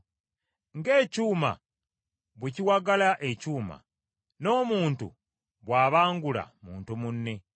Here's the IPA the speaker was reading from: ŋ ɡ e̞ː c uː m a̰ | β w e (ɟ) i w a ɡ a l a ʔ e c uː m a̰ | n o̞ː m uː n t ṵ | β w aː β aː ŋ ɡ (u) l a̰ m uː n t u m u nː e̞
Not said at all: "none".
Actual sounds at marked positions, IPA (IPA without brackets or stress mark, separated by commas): c, u